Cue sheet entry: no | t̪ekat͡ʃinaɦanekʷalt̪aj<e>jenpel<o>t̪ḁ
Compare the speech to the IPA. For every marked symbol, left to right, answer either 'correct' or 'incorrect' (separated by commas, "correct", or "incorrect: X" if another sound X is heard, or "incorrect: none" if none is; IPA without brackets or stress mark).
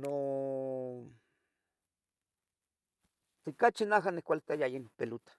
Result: incorrect: a, incorrect: u